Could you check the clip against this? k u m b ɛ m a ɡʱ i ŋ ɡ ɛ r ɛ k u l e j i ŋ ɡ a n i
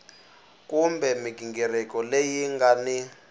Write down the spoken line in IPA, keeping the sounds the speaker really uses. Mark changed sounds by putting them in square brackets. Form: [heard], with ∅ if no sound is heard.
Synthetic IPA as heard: k u m b ɛ m [i] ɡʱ i ŋ ɡ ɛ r ɛ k [ɔ] l e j i ŋ ɡ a n i